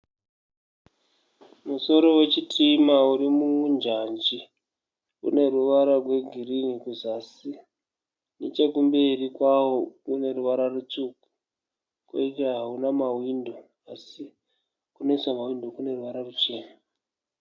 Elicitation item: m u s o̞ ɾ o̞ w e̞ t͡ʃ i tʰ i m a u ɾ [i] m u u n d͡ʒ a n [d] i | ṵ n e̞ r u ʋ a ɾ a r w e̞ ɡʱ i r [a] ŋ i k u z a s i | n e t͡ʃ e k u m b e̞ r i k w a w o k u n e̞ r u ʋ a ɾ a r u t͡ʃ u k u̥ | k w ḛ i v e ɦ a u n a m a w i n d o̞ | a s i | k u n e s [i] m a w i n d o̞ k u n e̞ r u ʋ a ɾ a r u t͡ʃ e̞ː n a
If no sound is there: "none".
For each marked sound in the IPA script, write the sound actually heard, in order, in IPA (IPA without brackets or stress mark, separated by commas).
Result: i, d͡ʒ, i, a